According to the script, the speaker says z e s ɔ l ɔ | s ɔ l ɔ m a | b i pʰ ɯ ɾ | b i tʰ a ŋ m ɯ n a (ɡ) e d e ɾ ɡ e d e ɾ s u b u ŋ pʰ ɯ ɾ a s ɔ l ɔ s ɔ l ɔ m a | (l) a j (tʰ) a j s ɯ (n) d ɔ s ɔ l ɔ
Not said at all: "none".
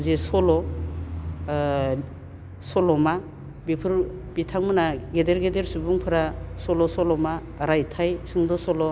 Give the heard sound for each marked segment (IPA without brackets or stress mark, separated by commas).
ɡ, ɾ, tʰ, ŋ